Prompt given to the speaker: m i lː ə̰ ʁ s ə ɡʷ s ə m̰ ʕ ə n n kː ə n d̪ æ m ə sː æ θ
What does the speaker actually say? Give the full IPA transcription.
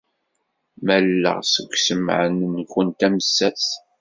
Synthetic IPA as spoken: m æ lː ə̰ ʁ s ə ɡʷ s ə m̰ ʕ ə n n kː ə n t̪ æ m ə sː æ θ

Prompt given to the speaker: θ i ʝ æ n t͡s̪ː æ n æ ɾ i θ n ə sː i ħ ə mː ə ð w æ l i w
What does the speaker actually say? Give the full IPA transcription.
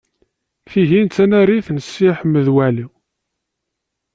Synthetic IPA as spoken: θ i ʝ i n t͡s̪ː æ n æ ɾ i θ n ə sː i ħ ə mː ə ð w æ l i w

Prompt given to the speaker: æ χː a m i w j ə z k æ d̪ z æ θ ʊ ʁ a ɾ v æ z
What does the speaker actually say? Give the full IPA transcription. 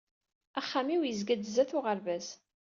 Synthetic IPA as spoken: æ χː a m i w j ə z ɡ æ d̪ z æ θ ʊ ʁ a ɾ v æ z

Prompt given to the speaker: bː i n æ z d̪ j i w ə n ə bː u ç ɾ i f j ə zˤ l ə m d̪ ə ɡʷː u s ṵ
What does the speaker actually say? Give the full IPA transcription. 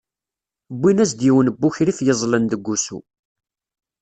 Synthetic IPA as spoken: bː i n æ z d̪ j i w ə n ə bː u ç ɾ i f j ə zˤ l ə n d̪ ə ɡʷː u s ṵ

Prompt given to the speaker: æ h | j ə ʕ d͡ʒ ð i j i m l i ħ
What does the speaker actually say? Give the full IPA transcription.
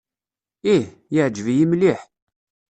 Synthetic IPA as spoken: i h | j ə ʕ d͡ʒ v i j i m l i ħ

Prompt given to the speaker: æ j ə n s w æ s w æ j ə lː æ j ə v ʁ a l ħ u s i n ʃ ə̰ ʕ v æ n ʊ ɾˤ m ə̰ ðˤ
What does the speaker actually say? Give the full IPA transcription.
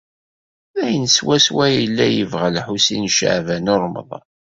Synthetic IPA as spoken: æ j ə n s w æ s w æ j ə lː æ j ə v ʁ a l ħ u s i n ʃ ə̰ ʕ v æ n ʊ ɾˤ m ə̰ ðˤ

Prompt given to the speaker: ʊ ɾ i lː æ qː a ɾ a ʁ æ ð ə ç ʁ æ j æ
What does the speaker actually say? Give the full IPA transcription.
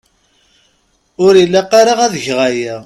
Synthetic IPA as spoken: ʊ ɾ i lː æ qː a ɾ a ʁ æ ð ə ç ʁ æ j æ

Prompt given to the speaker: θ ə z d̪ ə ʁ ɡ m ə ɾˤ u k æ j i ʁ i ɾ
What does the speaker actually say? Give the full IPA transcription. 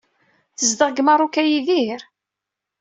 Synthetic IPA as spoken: θ ə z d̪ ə ʁ ɡ m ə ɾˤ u k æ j i ð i ɾ

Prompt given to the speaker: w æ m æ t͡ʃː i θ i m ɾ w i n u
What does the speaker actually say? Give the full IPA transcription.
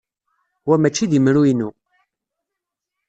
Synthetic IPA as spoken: w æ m æ t͡ʃː i ð i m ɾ u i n u

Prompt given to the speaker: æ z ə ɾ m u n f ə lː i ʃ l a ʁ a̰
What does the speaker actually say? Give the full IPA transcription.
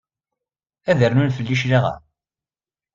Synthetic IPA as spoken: æ ð ə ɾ n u n f ə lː i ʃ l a ʁ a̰

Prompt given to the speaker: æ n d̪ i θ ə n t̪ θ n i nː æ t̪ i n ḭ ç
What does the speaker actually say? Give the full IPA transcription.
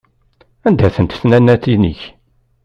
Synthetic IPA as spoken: æ n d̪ æ θ ə n t̪ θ n æ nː æ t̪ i n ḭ ç

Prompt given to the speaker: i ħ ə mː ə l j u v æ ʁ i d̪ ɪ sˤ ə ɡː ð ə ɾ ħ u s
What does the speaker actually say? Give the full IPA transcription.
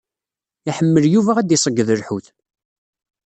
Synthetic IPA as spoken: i ħ ə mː ə l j u v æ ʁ æ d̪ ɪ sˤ ə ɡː ð ə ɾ ħ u θ

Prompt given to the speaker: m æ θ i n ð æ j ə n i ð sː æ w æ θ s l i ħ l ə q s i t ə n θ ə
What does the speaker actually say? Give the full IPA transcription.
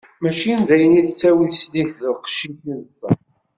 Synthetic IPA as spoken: m æ ʃ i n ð æ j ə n i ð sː æ w i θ s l i θ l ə q ʃ i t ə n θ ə

